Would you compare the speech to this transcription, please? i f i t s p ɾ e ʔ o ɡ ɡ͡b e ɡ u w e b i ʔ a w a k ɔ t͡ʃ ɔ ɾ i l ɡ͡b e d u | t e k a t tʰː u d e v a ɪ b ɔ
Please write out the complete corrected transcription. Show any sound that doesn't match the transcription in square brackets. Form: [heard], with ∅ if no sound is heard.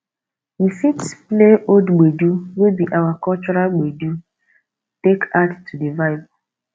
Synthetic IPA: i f i t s p [l] e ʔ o [d] ɡ͡b e [d] u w e b i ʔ a w a k ɔ t͡ʃ ɔ ɾ [a] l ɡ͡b e d u | t e k a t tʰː u d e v a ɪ b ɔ

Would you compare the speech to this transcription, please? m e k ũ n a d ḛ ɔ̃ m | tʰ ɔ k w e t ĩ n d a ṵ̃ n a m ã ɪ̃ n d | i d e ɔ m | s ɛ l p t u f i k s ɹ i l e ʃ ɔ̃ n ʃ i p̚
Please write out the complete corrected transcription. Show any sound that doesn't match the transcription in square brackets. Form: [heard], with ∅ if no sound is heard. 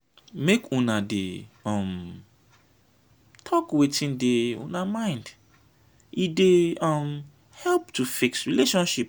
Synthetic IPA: m e k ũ n a d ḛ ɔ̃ m | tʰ ɔ k w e t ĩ n d [e] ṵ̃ n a m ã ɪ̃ n d | i d e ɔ m | [h] ɛ l p t u f i k s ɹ i l e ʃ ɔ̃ n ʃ i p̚

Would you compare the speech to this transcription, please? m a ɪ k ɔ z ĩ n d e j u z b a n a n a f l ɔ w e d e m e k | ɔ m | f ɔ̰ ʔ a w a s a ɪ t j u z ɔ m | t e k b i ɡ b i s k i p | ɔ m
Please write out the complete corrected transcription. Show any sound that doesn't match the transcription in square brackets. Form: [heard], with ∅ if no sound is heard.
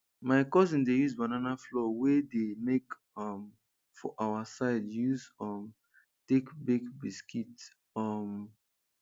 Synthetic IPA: m a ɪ k ɔ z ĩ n d e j u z b a n a n a f l ɔ w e d e m e k | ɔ m | f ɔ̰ ʔ a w a s a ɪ [d] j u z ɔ m | t e k b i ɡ b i s k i [t] | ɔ m

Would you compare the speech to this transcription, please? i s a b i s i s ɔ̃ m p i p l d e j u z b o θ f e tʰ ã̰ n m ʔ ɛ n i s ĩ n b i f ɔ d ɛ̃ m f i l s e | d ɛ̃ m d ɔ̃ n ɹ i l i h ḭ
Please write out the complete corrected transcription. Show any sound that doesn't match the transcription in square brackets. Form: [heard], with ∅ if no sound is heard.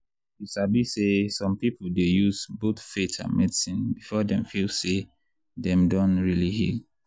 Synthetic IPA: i s a b i s [e] s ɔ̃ m p i p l d e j u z b o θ f e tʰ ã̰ n m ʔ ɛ [d] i s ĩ n b i f ɔ d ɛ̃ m f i l s e | d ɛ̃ m d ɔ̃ n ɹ i l i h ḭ

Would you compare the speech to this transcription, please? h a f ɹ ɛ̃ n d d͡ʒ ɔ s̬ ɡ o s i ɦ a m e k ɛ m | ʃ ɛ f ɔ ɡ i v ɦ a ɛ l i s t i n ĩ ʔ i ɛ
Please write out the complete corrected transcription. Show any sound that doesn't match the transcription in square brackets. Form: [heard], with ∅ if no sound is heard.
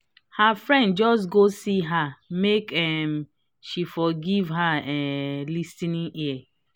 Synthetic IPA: h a f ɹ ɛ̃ n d d͡ʒ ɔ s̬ ɡ o s i ɦ a m e k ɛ m | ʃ [i] f ɔ ɡ i v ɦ a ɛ l i s t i n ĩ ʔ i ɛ

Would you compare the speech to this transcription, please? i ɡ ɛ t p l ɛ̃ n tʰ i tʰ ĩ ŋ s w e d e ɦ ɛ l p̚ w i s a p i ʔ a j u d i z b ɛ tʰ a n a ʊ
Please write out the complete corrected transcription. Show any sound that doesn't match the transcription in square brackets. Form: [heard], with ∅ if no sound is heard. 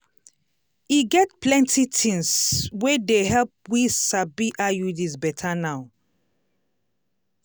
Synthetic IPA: i ɡ ɛ t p l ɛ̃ n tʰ i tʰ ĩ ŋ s w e d e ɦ ɛ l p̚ w i s a [b] i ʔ a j u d i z b ɛ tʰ a n a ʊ

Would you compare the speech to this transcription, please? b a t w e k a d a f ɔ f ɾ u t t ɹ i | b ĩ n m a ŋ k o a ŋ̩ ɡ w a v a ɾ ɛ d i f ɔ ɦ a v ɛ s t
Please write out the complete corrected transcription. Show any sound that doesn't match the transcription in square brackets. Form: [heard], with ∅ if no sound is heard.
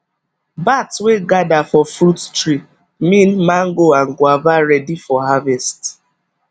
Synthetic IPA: b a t w e [ɡ] a d a f ɔ f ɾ u t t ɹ i | [m] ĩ n m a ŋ [ɡ] o a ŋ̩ ɡ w a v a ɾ ɛ d i f ɔ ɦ a v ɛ s t

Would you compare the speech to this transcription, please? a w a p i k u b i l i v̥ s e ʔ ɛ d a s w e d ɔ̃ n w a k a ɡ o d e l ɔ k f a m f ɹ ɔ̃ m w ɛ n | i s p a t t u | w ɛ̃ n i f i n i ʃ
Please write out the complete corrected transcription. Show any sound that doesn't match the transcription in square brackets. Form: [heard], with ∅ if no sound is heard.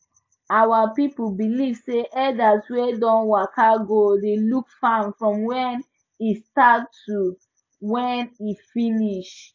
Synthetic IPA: a w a p i [p] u b i l i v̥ s e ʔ ɛ d a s w e d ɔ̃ n w a k a ɡ o d e l [u] k f a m f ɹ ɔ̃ m w ɛ n | i s [t] a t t u | w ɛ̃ n i f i n i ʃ

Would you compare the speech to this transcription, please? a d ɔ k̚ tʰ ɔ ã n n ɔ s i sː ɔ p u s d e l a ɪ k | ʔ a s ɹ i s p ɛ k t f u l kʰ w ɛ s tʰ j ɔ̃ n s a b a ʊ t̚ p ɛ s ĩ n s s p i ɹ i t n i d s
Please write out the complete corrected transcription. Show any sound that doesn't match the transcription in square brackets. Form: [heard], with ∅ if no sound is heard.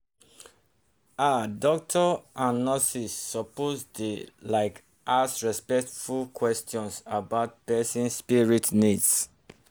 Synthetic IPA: a d ɔ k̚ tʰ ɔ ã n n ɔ s i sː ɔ p [o] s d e l a ɪ k | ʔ a s ɹ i s p ɛ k t f u l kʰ w ɛ s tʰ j ɔ̃ n s a b a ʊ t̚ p ɛ s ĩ n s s p i ɹ i t n i d s

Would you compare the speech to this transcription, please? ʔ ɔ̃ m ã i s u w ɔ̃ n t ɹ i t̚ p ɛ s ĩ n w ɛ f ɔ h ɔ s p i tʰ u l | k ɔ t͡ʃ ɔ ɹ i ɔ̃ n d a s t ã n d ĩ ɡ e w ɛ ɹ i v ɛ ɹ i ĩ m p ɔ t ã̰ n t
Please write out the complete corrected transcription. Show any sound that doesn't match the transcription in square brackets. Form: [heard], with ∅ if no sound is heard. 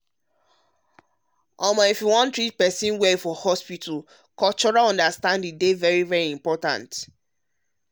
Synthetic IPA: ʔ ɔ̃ m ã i [f] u w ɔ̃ n t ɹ i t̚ p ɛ s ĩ n w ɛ f ɔ h ɔ s p i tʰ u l | k ɔ t͡ʃ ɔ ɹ [a] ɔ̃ n d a s t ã n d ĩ [d] e [v] ɛ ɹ i v ɛ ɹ i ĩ m p ɔ t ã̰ n t

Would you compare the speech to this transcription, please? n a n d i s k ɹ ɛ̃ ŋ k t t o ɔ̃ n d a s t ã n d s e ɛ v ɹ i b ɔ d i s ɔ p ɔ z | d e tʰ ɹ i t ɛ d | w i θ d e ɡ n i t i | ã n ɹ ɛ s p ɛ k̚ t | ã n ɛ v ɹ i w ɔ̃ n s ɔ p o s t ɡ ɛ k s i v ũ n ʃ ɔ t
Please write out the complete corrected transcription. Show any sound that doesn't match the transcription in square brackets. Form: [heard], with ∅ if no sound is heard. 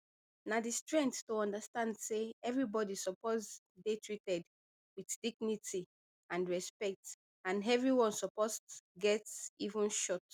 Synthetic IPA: n a [∅] d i s [t] ɹ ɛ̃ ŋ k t t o ɔ̃ n d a s t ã n d s e ɛ v ɹ i b ɔ d i s ɔ p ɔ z | d e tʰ ɹ i t ɛ d | w i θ d [i] ɡ n i t i | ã n ɹ ɛ s p ɛ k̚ t | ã n ɛ v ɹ i w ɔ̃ n s ɔ p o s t ɡ ɛ [t] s i v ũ n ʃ ɔ t

